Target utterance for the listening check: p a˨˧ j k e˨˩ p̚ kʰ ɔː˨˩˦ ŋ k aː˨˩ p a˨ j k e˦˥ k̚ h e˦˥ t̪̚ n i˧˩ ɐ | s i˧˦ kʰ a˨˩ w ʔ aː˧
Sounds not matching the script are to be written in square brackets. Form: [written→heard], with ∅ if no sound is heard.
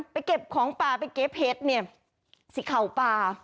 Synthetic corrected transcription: p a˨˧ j k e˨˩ p̚ kʰ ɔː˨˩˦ ŋ [k→p] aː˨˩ p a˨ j k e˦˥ [k̚→p̚] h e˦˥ t̪̚ n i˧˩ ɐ | s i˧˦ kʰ a˨˩ w [ʔ→p] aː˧